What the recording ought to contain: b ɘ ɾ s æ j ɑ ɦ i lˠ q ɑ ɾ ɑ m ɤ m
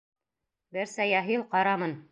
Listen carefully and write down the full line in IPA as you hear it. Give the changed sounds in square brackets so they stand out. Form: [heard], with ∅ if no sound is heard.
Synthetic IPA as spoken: b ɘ ɾ s æ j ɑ ɦ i lˠ q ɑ ɾ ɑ m ɤ [n]